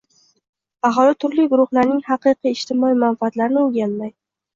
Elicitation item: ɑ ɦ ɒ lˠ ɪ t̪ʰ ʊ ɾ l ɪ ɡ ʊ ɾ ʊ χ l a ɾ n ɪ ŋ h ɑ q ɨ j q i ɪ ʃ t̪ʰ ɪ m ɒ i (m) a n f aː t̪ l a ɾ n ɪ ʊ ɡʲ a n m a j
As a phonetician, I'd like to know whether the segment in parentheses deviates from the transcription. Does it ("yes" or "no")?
no